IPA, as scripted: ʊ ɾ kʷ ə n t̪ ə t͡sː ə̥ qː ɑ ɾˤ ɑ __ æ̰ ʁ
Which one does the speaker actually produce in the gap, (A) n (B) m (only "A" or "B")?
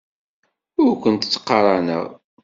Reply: A